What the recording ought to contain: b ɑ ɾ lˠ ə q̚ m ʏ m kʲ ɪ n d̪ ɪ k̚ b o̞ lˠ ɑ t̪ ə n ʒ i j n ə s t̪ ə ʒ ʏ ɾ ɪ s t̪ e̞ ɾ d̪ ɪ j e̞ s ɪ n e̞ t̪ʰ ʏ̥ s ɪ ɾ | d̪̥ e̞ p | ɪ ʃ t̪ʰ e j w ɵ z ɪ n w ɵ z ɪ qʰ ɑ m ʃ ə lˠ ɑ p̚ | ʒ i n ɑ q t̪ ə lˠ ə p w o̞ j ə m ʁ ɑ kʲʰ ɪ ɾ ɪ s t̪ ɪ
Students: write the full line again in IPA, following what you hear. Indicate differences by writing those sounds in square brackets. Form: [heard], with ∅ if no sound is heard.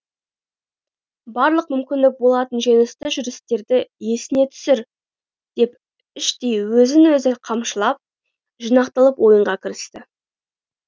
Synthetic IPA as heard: b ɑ ɾ lˠ ə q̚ m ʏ m kʲ ɪ n d̪ ɪ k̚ b o̞ lˠ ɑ t̪ ə n ʒ i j n ə s t̪ ə ʒ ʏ ɾ ɪ s t̪ e̞ ɾ d̪ ɪ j e̞ s ɪ n e̞ t̪ʰ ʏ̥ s ɪ ɾ | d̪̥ e̞ p | ɪ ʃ [t̪] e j w ɵ z ɪ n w ɵ z ɪ qʰ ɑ m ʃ ə lˠ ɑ p̚ | ʒ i n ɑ q t̪ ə lˠ ə p w o̞ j ə [ɴ] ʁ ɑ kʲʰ ɪ ɾ ɪ s t̪ ɪ